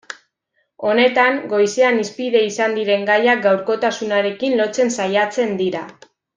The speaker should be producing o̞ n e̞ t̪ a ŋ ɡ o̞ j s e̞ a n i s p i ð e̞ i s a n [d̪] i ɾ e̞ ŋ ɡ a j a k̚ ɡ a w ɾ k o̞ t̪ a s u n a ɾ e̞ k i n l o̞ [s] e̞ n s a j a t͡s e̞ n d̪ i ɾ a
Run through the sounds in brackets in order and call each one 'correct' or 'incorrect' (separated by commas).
correct, incorrect